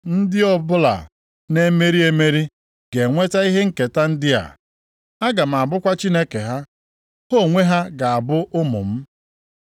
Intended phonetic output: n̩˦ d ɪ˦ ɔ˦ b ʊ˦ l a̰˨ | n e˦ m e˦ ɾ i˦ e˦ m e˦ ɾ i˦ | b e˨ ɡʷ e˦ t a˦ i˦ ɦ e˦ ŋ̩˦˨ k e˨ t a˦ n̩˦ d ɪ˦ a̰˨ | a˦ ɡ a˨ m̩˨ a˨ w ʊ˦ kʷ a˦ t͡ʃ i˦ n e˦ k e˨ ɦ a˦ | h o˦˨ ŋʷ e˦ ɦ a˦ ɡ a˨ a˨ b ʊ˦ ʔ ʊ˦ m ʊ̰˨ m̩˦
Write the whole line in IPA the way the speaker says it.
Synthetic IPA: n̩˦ d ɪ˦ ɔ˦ b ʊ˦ l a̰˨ | n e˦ m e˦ ɾ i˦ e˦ m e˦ ɾ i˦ | ɡ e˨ ŋʷ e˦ t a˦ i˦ ɦ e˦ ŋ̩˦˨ k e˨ t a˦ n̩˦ d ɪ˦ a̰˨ | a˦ ɡ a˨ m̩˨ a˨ b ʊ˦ kʷ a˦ t͡ʃ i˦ n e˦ k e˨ ɦ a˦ | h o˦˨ ŋʷ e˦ ɦ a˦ ɡ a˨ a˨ b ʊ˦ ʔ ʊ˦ m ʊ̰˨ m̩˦

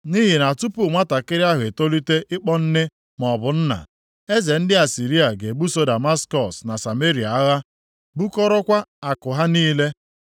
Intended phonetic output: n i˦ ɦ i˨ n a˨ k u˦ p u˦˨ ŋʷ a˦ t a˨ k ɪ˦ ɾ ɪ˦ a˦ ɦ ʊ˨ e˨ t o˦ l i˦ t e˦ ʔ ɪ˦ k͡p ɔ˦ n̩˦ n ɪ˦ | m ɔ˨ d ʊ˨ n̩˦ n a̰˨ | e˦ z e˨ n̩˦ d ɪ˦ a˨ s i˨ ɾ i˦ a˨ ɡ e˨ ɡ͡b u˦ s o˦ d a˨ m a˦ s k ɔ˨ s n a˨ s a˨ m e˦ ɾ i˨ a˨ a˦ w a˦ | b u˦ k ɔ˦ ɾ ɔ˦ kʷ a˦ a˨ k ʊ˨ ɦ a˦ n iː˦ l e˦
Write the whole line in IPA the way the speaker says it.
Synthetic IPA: n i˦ ɦ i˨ n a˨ t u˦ p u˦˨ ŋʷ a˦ t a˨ k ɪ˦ ɾ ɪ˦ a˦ ɦ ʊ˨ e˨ t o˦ l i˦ t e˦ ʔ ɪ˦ k͡p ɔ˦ n̩˦ n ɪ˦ | m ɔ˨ b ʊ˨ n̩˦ n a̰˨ | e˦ z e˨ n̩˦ d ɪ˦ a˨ s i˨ ɾ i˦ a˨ ɡ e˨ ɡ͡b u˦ s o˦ d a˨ m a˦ s k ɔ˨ s n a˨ s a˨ m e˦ ɾ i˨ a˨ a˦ ɣ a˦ | b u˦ k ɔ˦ ɾ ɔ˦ kʷ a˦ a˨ k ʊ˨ ɦ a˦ n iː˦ l e˦

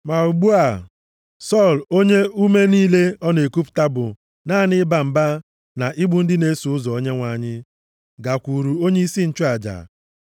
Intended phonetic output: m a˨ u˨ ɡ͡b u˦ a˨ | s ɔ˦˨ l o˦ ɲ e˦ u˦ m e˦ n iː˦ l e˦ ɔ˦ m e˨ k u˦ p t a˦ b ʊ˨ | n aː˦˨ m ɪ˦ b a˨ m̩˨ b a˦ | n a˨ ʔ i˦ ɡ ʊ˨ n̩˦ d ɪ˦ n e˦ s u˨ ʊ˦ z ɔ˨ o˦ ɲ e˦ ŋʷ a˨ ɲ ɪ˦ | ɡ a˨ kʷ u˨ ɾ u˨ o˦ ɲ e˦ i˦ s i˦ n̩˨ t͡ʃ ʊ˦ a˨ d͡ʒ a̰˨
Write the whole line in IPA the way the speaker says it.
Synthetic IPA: m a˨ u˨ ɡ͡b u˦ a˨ | s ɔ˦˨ l o˦ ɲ e˦ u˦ m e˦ n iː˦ l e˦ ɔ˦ n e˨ k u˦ p t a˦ b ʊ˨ | n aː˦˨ n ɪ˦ b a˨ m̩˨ b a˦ | n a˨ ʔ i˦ ɡ͡b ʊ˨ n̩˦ d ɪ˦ n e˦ s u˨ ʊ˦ z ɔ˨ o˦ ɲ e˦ ŋʷ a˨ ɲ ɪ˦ | ɡ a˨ kʷ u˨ ɾ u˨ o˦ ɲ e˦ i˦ s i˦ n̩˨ t͡ʃ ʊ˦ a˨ d͡ʒ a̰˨

